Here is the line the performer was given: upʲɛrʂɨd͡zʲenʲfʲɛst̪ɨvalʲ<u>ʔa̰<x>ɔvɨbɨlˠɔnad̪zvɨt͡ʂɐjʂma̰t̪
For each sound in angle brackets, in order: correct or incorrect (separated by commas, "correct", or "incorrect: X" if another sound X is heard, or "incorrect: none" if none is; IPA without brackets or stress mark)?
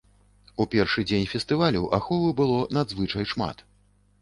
correct, correct